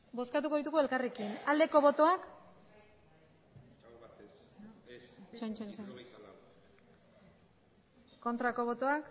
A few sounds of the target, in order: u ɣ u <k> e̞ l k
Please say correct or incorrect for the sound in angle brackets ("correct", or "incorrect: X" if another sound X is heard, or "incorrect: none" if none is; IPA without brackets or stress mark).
incorrect: none